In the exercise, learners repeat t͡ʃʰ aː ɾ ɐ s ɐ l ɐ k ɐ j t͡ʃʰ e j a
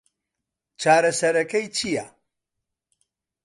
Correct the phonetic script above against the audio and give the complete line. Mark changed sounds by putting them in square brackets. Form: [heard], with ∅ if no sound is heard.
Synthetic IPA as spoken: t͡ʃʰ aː ɾ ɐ s ɐ [ɾ] ɐ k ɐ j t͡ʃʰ [i] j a

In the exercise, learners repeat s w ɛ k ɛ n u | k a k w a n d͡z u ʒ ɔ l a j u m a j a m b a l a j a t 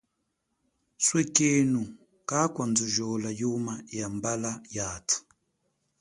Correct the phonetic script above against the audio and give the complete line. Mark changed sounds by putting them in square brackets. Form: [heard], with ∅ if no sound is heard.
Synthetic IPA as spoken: s w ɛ k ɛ n u | k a k w a n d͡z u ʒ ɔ l a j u m a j a m b a l a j a t

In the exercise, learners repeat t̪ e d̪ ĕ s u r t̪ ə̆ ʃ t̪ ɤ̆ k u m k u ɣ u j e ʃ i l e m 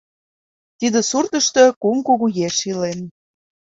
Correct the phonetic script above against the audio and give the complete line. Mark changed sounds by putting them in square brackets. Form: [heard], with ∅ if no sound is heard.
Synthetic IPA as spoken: t̪ [i] d̪ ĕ s u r t̪ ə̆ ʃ t̪ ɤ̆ k u m k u ɣ u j e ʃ i l e [n]

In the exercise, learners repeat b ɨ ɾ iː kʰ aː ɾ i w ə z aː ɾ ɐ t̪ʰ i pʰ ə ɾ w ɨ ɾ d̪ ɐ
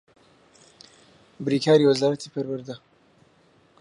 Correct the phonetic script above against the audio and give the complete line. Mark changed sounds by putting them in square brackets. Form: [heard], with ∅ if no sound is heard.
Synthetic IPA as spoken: b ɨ ɾ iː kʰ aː ɾ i w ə z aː ɾ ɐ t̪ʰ i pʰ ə ɾ w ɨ ɾ d̪ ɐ

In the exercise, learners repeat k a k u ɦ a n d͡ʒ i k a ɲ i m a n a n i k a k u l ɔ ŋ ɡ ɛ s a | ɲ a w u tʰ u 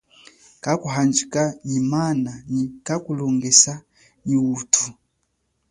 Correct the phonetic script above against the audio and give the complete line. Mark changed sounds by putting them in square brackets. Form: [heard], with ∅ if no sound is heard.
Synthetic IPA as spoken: k a k u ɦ a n d͡ʒ i k a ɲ i m a n a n i k a k u l ɔ ŋ ɡ ɛ s a | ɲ [i] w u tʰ u

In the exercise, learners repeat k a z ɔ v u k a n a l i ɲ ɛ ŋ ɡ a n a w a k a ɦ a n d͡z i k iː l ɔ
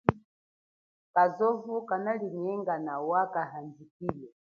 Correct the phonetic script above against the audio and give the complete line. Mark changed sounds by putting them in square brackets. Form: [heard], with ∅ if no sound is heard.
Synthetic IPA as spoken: k a z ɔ v u k a n a l i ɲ ɛ ŋ ɡ a n a w a k a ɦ a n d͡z i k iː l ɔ

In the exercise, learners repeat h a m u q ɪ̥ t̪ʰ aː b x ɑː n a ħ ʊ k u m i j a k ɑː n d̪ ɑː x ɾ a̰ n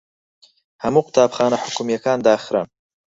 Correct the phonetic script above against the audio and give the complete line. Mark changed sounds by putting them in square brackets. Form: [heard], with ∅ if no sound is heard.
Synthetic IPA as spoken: h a m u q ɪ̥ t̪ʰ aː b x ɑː n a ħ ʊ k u m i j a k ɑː n d̪ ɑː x ɾ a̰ n

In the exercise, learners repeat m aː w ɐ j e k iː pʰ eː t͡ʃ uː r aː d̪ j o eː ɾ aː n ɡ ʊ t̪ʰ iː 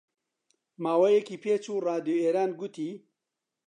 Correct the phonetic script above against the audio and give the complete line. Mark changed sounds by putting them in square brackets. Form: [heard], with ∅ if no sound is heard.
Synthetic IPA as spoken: m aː w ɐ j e k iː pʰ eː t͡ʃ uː r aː d̪ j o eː ɾ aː n ɡ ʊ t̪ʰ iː

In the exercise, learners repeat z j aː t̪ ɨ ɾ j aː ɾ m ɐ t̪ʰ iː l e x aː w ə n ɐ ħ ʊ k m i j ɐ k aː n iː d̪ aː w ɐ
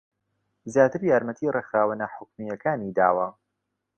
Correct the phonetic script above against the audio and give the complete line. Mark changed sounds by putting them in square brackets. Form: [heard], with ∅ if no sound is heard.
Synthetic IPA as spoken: z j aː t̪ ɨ ɾ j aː ɾ m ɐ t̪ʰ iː [r] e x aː w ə n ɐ ħ ʊ k m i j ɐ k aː n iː d̪ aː w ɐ

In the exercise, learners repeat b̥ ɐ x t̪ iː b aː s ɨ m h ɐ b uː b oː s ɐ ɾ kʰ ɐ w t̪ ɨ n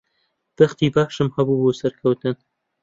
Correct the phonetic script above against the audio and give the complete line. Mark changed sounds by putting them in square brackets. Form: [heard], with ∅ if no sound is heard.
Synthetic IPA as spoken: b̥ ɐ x t̪ iː b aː [ʃ] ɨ m h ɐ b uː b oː s ɐ ɾ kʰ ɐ w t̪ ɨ n

